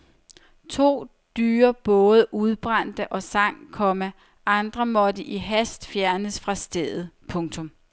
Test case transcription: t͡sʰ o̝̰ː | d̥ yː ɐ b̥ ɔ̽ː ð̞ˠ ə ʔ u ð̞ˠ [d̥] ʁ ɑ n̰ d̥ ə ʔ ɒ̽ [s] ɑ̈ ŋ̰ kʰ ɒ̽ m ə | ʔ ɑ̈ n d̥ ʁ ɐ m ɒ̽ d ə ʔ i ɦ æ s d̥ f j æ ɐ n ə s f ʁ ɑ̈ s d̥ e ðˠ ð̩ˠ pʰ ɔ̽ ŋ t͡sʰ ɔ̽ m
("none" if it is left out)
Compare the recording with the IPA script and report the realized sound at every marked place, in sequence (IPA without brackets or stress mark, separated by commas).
b̥, s